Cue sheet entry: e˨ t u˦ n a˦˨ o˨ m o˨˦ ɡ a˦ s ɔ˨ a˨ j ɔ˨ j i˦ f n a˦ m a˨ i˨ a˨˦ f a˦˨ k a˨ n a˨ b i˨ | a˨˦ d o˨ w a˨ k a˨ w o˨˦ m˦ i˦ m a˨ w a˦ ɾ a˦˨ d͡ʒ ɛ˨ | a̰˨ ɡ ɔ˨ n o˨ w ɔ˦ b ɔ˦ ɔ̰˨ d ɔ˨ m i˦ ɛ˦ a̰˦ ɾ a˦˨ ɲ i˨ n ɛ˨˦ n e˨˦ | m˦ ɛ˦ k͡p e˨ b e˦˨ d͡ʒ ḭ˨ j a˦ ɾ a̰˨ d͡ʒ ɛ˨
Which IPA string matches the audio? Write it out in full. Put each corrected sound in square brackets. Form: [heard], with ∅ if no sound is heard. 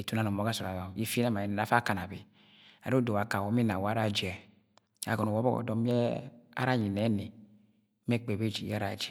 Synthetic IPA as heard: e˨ t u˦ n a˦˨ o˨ m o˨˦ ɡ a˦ s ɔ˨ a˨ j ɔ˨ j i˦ f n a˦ m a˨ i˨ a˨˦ f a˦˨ k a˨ n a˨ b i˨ | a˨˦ d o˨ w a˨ k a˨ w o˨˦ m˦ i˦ [n] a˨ w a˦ ɾ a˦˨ d͡ʒ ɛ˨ | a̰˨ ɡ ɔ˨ n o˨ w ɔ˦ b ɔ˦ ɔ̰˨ d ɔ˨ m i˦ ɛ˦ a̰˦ ɾ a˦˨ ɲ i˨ n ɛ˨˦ n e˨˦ | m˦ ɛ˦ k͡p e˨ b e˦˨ d͡ʒ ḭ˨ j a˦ ɾ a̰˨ d͡ʒ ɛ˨